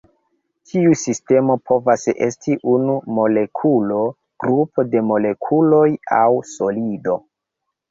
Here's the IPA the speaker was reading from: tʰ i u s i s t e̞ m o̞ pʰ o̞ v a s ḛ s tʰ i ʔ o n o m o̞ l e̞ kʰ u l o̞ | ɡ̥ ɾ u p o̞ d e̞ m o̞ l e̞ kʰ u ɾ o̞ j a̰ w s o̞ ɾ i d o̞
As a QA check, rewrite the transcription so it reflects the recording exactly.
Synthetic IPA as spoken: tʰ i u s i s t e̞ m o̞ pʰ o̞ v a s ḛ s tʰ i ʔ u n u m o̞ l e̞ kʰ u l o̞ | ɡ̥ ɾ u p o̞ d e̞ m o̞ l e̞ kʰ u l o̞ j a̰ w s o̞ l i d o̞